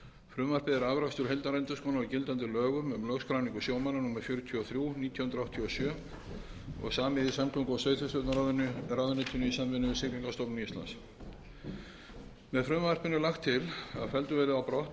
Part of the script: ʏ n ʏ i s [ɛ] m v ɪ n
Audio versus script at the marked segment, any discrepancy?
yes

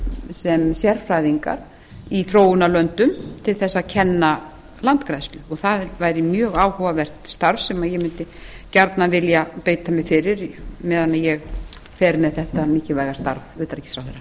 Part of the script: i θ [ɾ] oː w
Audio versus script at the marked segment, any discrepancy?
no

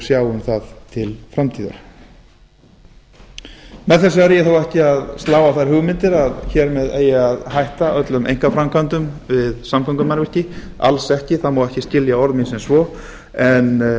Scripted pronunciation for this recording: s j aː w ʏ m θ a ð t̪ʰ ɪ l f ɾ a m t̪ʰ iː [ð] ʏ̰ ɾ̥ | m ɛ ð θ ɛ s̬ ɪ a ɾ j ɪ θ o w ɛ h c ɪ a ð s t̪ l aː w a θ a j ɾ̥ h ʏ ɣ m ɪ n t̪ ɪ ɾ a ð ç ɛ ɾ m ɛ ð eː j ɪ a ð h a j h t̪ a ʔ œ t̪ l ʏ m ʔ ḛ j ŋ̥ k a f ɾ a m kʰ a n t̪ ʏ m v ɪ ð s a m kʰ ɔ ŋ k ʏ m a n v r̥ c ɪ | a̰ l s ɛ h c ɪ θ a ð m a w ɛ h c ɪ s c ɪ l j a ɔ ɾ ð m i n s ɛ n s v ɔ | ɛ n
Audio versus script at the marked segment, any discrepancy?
no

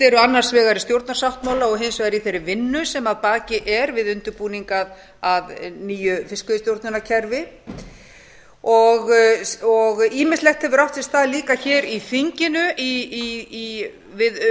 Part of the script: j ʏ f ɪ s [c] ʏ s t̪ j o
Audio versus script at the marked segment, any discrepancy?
yes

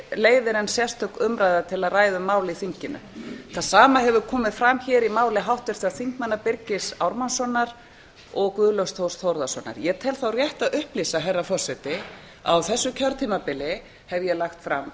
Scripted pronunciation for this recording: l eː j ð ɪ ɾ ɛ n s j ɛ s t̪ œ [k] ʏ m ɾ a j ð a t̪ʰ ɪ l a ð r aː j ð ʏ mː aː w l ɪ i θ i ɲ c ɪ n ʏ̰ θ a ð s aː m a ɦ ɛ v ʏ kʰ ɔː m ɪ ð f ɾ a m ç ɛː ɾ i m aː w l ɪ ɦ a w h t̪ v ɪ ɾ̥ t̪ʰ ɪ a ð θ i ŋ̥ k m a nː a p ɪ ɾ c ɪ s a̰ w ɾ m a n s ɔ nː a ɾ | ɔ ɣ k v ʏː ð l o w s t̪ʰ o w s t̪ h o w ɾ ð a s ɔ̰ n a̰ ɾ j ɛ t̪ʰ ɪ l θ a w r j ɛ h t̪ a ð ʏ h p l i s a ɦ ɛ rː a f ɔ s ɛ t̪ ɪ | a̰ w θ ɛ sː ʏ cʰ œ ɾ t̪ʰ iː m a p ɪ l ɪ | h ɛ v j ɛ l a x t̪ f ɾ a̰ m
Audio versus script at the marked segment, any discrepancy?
no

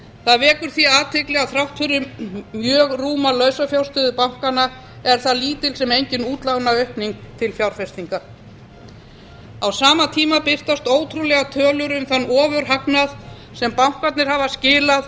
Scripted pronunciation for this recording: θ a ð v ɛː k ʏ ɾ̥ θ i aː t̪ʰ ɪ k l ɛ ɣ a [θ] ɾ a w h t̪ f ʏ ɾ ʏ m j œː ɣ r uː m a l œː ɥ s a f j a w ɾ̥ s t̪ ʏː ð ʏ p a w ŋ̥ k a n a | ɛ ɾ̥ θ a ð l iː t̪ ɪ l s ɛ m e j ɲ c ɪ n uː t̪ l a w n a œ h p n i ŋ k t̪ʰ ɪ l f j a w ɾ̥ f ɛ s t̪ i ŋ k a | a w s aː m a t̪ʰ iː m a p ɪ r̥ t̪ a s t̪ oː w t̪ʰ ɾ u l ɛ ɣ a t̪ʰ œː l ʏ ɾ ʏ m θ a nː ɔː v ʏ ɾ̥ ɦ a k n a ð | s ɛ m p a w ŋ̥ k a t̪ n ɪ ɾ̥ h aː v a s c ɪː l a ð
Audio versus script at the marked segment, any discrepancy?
no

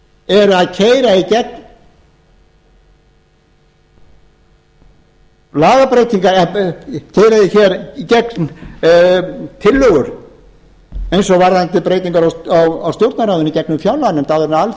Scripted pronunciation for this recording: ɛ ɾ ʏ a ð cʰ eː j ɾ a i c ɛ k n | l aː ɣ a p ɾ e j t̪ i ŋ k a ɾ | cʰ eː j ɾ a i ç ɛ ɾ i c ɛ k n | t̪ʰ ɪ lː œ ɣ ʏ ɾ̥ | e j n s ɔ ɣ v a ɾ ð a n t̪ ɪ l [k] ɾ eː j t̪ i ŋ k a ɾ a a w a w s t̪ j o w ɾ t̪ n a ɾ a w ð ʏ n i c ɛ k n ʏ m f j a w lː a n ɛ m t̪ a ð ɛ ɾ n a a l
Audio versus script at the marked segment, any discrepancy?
yes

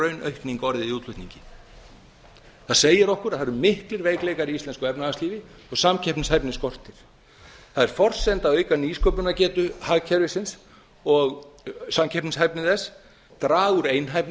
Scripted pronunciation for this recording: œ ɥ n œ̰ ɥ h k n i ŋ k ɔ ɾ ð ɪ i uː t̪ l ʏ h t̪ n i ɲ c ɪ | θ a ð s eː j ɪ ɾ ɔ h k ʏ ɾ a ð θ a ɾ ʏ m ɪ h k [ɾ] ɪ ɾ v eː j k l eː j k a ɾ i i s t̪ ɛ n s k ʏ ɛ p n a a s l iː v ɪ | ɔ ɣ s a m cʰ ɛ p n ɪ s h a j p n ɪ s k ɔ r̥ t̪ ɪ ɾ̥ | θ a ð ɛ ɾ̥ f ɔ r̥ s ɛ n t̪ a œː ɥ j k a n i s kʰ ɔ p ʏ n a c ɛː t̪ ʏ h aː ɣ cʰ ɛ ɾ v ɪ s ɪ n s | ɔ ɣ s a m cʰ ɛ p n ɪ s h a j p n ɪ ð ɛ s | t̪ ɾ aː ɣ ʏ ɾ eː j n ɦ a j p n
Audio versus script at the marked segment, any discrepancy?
yes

